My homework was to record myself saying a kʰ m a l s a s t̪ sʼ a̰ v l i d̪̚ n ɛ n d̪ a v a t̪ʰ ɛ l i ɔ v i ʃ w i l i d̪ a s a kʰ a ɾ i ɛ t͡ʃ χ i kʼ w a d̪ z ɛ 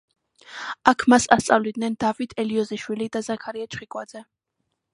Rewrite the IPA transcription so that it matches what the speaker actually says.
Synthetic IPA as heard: a kʰ m a s a s t̪ sʼ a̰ v l i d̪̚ n ɛ n d̪ a v i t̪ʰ ɛ l i ɔ z i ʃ w i l i d̪ a z a kʰ a ɾ i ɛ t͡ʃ χ i kʼ w a d̪ z ɛ

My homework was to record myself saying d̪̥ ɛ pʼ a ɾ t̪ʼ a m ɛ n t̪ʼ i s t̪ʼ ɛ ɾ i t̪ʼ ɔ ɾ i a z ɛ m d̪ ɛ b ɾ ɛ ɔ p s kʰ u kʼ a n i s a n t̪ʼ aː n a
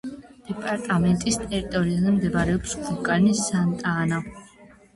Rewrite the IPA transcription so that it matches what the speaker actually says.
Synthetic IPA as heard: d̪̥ ɛ pʼ a ɾ t̪ʼ a m ɛ n t̪ʼ i s t̪ʼ ɛ ɾ i t̪ʼ ɔ ɾ i a z ɛ m d̪ ɛ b ɾ ɛ ɔ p s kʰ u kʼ a n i s a n t̪ʼ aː n a

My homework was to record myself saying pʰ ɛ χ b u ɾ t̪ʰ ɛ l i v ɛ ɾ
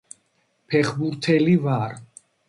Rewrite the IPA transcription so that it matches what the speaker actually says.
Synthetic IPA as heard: pʰ ɛ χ b u ɾ t̪ʰ ɛ l i v a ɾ

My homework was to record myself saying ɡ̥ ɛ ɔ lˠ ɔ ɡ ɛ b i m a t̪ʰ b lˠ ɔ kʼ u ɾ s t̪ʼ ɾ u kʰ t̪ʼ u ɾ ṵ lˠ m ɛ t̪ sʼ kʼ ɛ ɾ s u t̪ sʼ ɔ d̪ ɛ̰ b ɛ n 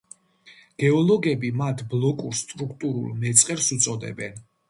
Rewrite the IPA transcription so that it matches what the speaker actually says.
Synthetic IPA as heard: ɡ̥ ɛ ɔ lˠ ɔ ɡ ɛ b i m a t̪ʰ b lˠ ɔ kʼ u ɾ s t̪ʼ ɾ u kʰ t̪ʼ u ɾ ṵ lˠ m ɛ t̪ sʼ qʼ ɛ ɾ s u t̪ sʼ ɔ d̪ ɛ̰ b ɛ n

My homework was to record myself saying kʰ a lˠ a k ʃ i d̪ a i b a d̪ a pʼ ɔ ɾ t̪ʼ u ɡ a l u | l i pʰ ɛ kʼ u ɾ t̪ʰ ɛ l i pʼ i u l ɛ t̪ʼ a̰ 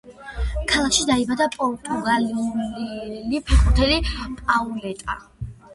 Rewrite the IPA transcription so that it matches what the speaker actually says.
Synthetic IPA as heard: kʰ a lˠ a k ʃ i d̪ a i b a d̪ a pʼ ɔ ɾ t̪ʼ u ɡ a l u | l i pʰ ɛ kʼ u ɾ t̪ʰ ɛ l i pʼ a u l ɛ t̪ʼ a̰

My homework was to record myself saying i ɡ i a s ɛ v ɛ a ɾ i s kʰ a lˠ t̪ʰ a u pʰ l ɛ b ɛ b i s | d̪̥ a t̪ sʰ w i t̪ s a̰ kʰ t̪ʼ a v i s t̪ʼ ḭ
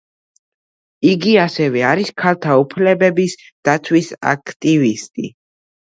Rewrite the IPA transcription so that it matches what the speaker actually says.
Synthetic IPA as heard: i ɡ i a s ɛ v ɛ a ɾ i s kʰ a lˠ t̪ʰ a u pʰ l ɛ b ɛ b i s | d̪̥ a t̪ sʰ w i s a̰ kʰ t̪ʼ i v i s t̪ʼ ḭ

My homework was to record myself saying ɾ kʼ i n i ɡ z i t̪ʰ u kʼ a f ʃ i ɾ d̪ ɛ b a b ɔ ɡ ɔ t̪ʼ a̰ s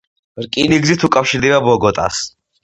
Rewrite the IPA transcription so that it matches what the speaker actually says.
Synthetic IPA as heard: ɾ kʼ i n i ɡ z i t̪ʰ u kʼ a f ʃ i ɾ d̪ ɛ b a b ɔ ɡ ɔ t̪ʼ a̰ s

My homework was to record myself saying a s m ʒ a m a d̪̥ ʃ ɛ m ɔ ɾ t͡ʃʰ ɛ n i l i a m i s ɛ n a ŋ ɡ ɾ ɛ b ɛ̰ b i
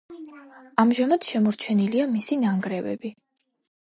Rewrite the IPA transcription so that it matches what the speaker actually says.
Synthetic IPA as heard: a m ʒ a m a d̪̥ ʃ ɛ m ɔ ɾ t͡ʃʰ ɛ n i l i a m i s i n a ŋ ɡ ɾ ɛ v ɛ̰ b i

